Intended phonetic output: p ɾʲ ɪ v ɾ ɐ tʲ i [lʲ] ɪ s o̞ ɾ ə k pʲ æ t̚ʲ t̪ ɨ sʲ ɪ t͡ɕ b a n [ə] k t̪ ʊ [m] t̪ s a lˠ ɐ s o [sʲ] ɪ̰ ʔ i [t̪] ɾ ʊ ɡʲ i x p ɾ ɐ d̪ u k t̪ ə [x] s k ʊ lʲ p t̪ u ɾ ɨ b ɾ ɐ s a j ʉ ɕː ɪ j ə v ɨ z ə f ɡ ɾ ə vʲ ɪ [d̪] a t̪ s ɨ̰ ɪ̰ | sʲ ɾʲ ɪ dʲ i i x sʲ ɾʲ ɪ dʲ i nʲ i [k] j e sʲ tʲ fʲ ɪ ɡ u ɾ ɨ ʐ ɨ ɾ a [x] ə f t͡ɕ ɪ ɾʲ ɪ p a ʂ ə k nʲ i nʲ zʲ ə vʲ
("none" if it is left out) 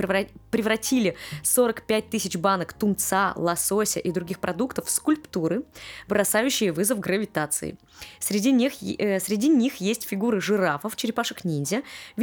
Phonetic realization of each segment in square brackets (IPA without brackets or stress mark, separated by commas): lʲ, ə, m, sʲ, d̪, f, t̪, x, f